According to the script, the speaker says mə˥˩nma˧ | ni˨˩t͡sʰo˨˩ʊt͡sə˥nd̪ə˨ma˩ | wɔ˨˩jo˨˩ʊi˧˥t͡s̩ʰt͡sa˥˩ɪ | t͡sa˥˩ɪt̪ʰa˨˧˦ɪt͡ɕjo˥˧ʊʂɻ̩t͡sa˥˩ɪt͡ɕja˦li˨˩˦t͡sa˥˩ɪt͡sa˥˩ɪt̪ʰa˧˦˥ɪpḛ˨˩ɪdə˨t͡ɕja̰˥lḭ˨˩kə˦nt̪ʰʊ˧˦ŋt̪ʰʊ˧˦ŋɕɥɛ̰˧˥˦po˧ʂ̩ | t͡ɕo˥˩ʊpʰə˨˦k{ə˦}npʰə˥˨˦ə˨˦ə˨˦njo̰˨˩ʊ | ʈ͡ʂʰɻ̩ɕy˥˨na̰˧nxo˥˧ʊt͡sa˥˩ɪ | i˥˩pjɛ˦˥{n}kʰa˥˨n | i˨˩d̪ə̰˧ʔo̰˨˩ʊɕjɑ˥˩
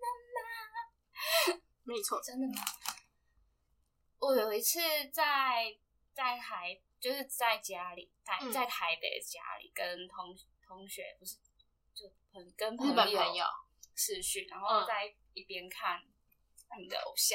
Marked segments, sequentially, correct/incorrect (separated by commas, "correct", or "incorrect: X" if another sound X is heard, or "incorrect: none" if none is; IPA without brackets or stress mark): correct, correct